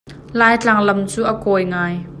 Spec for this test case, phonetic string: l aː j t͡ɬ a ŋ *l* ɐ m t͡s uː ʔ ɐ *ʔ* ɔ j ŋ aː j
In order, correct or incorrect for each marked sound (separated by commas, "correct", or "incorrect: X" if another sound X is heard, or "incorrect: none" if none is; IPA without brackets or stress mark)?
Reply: correct, incorrect: k